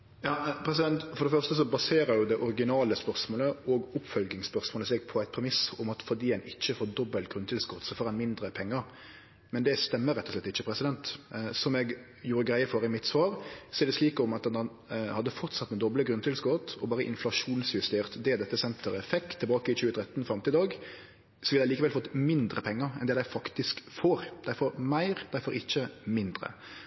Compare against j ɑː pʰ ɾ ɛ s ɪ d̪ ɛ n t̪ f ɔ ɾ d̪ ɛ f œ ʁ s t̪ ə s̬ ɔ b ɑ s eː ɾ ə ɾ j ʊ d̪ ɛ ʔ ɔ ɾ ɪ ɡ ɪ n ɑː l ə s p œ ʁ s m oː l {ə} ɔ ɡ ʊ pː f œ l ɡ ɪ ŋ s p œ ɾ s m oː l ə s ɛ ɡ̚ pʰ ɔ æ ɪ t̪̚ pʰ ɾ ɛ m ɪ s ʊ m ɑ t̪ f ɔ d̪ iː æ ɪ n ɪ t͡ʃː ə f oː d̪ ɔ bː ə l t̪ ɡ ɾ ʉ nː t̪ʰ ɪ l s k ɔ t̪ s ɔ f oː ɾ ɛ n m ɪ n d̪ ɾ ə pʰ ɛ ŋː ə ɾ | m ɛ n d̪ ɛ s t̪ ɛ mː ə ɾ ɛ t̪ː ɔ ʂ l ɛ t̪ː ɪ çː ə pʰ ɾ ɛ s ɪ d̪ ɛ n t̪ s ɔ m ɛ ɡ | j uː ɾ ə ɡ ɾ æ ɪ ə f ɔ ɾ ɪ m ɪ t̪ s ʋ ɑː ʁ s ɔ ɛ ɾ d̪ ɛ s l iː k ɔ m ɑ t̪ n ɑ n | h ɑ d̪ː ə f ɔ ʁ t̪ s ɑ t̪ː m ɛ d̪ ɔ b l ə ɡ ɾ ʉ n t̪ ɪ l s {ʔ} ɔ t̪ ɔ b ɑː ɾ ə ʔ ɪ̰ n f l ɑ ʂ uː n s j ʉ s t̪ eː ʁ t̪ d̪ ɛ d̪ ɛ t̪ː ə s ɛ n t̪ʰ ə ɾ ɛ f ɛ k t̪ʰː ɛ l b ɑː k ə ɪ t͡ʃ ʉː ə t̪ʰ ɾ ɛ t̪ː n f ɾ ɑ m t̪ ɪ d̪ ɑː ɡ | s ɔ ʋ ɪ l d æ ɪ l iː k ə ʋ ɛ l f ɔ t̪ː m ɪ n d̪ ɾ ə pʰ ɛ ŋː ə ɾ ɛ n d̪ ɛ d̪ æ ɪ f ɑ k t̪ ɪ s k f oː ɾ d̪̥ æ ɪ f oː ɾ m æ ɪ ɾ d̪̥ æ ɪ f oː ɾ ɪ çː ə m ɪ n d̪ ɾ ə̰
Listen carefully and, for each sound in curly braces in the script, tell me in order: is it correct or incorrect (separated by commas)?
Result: correct, incorrect